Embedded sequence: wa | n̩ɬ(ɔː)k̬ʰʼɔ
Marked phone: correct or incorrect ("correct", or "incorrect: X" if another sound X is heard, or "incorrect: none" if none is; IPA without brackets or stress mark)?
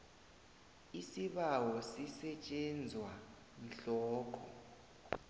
correct